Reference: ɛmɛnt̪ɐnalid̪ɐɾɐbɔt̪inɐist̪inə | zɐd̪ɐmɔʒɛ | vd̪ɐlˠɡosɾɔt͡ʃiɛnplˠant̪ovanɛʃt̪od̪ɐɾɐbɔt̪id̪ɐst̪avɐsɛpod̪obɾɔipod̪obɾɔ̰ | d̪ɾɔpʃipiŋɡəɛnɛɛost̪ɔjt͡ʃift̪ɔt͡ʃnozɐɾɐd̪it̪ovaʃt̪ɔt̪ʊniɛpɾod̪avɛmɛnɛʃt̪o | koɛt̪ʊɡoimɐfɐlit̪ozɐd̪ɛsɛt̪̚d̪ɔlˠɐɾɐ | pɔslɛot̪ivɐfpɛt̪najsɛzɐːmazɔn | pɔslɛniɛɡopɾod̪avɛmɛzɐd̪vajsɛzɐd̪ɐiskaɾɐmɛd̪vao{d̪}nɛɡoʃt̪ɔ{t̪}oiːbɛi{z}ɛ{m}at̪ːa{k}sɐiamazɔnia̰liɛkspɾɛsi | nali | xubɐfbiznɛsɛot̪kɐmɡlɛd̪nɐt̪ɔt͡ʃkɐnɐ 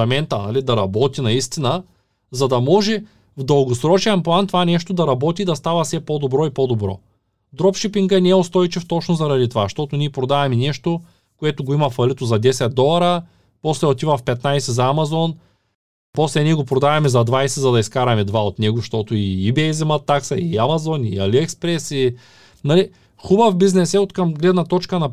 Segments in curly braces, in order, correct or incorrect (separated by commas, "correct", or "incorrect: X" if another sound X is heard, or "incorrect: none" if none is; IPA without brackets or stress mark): incorrect: t̪, correct, correct, correct, correct